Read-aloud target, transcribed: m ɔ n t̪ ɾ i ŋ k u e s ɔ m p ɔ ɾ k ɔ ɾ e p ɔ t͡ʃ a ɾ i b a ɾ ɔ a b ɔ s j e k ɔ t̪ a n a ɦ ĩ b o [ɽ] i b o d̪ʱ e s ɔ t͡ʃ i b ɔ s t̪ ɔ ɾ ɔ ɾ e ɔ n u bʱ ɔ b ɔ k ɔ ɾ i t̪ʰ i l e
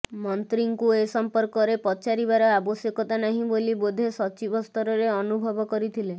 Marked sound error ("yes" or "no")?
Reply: yes